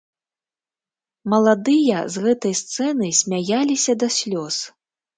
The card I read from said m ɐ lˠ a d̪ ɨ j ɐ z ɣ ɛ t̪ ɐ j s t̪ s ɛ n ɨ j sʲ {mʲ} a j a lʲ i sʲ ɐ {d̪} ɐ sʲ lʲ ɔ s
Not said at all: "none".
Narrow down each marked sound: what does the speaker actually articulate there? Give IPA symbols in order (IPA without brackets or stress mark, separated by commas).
mʲ, d̪